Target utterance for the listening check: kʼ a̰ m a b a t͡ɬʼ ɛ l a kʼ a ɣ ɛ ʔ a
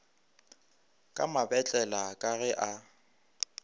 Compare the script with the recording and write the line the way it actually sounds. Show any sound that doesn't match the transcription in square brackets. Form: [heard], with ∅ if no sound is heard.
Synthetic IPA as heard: kʼ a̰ m a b [ɛ] t͡ɬʼ ɛ l a kʼ a ɣ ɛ ʔ a